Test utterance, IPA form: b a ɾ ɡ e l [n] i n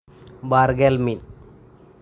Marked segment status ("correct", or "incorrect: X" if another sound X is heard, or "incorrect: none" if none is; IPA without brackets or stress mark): incorrect: m